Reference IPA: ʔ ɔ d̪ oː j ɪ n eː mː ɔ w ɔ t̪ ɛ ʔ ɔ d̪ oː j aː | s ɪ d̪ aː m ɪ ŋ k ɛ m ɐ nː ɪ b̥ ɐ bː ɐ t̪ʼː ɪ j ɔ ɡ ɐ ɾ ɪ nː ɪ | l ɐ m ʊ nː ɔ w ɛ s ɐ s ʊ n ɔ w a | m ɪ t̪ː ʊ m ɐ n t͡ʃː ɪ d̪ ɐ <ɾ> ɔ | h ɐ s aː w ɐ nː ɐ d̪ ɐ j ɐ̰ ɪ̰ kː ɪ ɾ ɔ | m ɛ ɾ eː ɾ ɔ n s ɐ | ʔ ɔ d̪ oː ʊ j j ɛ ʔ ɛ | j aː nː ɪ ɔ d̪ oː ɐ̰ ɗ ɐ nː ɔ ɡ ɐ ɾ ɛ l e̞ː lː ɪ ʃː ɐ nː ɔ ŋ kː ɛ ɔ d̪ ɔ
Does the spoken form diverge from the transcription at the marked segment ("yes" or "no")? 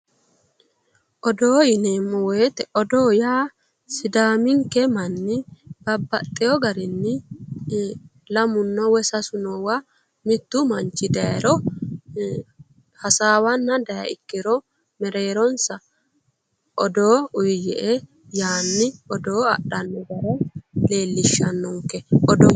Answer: no